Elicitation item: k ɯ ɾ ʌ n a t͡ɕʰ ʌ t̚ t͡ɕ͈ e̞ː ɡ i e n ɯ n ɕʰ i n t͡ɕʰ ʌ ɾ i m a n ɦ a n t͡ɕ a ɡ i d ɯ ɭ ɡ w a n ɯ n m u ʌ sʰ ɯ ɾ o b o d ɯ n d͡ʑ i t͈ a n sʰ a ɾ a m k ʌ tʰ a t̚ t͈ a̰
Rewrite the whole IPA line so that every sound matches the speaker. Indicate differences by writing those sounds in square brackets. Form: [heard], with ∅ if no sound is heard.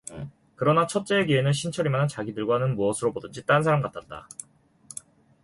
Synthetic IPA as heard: k ɯ ɾ ʌ n a t͡ɕʰ ʌ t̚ t͡ɕ͈ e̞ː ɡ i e n ɯ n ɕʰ i n t͡ɕʰ ʌ ɾ i m a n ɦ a n t͡ɕ a ɡ i d ɯ ɭ ɡ w a n ɯ n m u ʌ sʰ ɯ ɾ o b o d ɯ n d͡ʑ i t͈ a n sʰ a ɾ a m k [a] tʰ a t̚ t͈ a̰